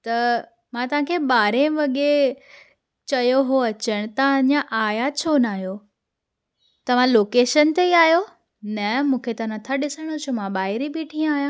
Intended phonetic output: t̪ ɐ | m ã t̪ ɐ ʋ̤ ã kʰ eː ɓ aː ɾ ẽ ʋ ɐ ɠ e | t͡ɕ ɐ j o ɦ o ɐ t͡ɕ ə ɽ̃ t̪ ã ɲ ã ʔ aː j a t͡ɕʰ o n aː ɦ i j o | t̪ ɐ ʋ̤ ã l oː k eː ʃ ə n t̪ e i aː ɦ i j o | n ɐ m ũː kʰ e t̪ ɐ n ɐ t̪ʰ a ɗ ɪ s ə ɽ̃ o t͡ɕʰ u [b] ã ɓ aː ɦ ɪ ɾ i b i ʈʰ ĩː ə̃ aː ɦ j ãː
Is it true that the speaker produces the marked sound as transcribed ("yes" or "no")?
no